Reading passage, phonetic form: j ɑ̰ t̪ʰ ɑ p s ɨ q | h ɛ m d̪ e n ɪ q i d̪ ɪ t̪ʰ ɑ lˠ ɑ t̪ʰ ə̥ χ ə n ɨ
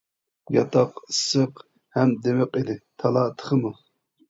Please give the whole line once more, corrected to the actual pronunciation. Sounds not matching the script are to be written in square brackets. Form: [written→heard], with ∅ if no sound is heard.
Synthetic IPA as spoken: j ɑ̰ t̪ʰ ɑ [p→q] s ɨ q | h ɛ m d̪ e [n→m] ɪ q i d̪ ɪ t̪ʰ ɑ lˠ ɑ t̪ʰ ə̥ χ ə [n→m] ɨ